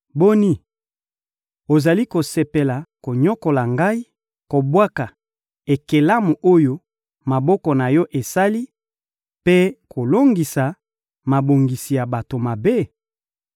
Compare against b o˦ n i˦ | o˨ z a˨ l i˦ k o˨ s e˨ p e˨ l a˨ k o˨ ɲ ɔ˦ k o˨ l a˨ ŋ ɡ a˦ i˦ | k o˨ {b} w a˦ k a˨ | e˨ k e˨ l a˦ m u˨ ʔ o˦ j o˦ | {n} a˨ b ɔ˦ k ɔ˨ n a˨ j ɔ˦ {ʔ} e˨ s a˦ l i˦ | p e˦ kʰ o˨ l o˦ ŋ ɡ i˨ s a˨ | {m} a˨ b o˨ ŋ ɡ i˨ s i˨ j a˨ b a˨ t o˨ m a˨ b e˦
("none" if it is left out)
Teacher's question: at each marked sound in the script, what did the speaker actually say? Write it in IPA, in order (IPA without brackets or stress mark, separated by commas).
b, m, ʔ, m